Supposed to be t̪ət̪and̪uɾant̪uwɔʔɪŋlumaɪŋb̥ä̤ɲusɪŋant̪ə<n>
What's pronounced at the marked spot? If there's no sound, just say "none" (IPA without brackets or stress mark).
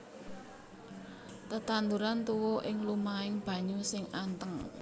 ŋ